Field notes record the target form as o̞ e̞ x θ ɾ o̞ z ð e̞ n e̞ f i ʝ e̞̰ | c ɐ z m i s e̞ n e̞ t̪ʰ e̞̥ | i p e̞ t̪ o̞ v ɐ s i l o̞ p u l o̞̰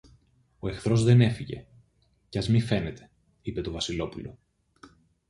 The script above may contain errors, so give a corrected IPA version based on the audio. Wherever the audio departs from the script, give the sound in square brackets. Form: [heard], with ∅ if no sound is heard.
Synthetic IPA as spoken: o̞ e̞ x θ ɾ o̞ z ð e̞ n e̞ f i ʝ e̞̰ | c ɐ z m i [f] e̞ n e̞ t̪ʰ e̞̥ | i p e̞ t̪ o̞ v ɐ s i l o̞ p u l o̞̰